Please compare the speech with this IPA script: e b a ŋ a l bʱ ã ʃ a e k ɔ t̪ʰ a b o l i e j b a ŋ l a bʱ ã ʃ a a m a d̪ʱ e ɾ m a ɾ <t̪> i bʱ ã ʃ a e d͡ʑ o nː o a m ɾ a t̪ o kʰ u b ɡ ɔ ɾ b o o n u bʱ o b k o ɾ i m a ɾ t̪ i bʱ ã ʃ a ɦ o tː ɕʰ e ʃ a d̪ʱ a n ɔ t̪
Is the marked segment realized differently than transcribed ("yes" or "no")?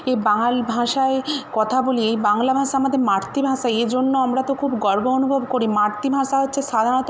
no